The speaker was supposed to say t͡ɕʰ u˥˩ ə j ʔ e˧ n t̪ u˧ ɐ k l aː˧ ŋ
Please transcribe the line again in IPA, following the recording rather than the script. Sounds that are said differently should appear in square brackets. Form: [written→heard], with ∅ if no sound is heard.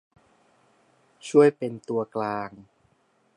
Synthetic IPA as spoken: t͡ɕʰ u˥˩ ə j [ʔ→p] e˧ n t̪ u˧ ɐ k l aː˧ ŋ

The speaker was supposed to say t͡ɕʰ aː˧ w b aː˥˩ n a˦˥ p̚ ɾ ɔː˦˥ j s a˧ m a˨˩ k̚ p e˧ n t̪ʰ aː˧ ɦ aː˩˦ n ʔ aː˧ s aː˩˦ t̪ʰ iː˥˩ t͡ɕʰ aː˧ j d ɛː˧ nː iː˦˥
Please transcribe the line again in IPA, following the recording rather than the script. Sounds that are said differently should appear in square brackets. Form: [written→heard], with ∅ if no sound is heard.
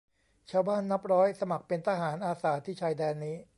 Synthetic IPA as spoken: t͡ɕʰ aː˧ w b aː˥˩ [n→nː] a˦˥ p̚ ɾ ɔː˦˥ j s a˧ m a˨˩ k̚ p e˧ n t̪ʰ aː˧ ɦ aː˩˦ n ʔ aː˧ s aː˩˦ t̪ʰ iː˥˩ t͡ɕʰ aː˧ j d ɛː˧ nː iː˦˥

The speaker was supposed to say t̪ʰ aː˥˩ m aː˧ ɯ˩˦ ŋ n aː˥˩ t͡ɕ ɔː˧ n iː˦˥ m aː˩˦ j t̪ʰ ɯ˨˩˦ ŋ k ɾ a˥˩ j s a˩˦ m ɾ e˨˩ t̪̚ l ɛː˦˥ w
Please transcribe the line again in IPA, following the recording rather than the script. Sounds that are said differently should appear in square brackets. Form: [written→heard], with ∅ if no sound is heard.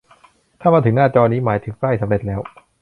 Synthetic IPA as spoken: t̪ʰ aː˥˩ m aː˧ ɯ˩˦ ŋ n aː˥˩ t͡ɕ ɔː˧ n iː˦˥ m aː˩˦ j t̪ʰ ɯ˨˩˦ ŋ k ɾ a˥˩ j s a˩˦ m ɾ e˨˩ t̪̚ l ɛː˦˥ w

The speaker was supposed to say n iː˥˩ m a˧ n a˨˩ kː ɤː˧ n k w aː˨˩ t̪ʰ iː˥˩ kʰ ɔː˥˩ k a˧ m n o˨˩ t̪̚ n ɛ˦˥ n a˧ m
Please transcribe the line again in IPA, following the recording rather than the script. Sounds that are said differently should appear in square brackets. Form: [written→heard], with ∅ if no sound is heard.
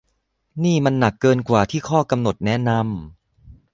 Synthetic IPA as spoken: n iː˥˩ m a˧ [n→nː] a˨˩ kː ɤː˧ n k w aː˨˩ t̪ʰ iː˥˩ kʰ ɔː˥˩ k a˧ m n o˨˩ t̪̚ n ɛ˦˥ n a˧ m

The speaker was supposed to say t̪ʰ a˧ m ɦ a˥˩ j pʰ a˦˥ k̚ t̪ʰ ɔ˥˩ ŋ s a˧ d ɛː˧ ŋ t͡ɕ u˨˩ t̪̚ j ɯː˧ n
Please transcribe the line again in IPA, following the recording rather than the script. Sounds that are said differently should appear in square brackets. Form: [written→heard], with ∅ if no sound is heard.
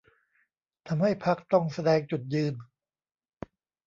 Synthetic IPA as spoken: t̪ʰ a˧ m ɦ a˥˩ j pʰ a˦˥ k̚ [t̪ʰ→t̪] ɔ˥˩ ŋ s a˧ d ɛː˧ ŋ t͡ɕ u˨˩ t̪̚ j ɯː˧ n

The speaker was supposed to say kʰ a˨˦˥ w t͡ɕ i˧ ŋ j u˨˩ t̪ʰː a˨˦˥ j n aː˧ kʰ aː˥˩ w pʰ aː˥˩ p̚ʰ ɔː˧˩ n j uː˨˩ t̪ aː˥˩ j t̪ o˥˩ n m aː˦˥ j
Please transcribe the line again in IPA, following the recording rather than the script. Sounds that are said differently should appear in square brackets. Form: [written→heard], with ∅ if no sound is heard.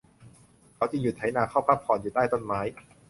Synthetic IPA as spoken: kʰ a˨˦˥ w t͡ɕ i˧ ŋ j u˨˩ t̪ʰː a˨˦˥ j n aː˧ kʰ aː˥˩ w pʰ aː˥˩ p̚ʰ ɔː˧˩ n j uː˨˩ t̪ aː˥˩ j t̪ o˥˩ n m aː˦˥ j

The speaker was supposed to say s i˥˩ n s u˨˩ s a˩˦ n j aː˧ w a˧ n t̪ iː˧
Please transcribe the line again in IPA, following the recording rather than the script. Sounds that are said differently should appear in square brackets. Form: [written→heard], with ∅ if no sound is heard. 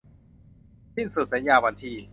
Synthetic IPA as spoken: s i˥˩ n s u˨˩ s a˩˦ n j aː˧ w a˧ n [t̪→t̪ʰ] iː˧

